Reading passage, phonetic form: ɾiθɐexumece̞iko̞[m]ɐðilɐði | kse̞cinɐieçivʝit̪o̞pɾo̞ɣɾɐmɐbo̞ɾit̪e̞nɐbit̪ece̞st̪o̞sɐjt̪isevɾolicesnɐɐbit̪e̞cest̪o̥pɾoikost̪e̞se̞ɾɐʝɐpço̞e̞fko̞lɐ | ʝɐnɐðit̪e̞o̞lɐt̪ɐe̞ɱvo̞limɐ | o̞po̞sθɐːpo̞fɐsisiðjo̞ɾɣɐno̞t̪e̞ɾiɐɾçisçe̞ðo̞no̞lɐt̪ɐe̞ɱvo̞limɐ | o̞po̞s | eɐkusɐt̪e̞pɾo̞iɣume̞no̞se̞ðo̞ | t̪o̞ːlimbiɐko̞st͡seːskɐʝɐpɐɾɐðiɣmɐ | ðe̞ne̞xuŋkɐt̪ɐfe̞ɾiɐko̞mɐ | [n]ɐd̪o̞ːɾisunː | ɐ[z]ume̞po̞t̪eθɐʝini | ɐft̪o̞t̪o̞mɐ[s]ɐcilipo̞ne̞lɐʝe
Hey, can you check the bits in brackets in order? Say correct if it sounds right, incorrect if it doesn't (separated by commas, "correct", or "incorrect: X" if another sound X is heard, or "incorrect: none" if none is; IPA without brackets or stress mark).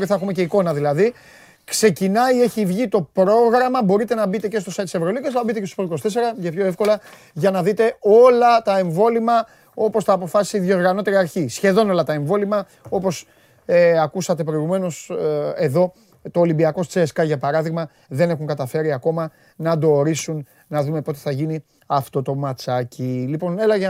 incorrect: n, correct, incorrect: ð, incorrect: t͡s